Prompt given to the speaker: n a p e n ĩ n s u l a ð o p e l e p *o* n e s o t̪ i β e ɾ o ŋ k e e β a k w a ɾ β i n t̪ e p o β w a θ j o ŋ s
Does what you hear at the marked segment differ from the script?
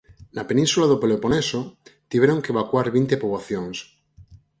no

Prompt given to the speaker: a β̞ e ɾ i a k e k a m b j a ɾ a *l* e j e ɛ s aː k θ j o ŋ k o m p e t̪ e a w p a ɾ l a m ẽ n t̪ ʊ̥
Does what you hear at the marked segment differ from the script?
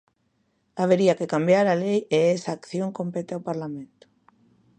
no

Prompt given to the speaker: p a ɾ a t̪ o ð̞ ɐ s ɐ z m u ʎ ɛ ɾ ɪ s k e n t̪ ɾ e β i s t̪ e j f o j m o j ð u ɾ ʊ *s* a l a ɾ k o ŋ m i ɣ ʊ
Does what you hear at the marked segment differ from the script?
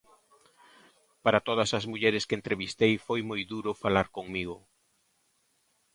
yes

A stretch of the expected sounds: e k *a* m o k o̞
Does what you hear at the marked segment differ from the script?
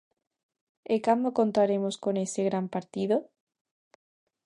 no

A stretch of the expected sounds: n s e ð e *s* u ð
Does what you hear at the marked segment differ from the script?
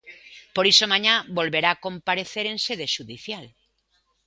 yes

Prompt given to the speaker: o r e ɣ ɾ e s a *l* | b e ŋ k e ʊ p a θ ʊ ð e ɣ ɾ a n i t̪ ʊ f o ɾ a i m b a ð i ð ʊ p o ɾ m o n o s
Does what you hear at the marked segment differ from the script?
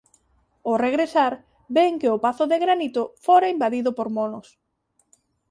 yes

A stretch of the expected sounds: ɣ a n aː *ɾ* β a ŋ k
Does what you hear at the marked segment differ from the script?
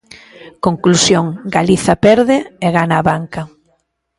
yes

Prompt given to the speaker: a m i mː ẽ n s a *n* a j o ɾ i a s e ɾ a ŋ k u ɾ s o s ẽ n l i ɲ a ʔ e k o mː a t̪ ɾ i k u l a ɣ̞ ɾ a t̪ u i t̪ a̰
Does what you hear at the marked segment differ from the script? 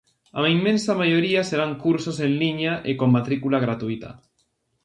yes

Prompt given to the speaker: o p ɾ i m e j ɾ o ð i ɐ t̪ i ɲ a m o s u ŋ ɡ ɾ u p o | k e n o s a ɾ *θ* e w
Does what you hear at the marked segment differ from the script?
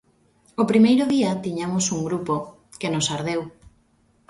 yes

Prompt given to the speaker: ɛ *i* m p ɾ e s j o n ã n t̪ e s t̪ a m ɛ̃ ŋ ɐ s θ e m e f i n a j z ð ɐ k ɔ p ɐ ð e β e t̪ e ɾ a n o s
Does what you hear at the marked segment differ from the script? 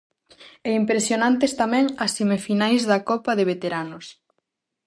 no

